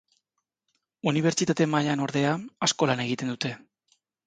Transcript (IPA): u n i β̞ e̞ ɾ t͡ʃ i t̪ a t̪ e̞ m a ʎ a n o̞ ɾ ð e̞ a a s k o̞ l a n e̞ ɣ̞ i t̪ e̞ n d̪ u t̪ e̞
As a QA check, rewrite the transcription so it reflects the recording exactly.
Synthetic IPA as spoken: u n i β̞ e̞ ɾ t͡ʃ i t̪ a t̪ e̞ m a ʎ a n o̞ ɾ ð e̞ a a s k o̞ l a n e̞ ɣ̞ i t̪ e̞ n d̪ u t̪ e̞